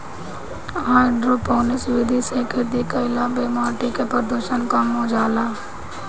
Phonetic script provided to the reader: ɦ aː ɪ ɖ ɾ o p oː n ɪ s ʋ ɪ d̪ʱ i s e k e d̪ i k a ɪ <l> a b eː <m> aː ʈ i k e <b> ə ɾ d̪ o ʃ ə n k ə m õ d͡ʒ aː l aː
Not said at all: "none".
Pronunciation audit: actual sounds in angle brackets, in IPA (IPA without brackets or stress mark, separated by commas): l, m, p